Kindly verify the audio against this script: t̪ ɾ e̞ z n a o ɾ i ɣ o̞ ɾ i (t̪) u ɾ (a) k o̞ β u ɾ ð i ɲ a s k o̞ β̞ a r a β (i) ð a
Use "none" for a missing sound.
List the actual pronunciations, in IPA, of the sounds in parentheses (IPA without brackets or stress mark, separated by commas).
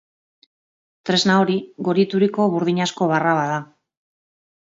t̪, i, a